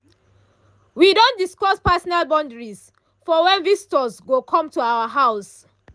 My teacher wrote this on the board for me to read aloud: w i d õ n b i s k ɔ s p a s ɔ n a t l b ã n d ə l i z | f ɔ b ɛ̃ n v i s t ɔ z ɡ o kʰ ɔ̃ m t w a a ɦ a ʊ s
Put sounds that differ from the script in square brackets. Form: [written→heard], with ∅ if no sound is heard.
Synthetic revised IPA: w i d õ n [b→d] i s k ɔ s p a s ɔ n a [t→∅] l b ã n d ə [l→ɹ] i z | f ɔ [b→w] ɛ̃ n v i s t ɔ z ɡ o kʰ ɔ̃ m t [w→u] a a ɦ a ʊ s